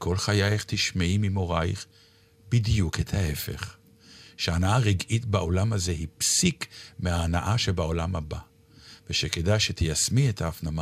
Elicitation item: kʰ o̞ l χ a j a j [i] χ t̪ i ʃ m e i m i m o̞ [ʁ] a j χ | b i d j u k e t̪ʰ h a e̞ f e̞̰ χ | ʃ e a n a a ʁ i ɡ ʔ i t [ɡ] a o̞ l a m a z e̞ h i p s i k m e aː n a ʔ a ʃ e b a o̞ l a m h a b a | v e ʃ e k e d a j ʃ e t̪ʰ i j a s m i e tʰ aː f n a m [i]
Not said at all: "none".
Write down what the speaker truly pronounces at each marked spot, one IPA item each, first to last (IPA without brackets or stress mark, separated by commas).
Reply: e, ʁ, b, a